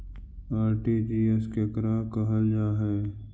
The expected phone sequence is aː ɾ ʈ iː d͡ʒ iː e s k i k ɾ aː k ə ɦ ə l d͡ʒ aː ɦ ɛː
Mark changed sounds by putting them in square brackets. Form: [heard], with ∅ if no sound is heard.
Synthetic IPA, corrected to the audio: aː ɾ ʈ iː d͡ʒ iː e s k [e] k ɾ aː k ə ɦ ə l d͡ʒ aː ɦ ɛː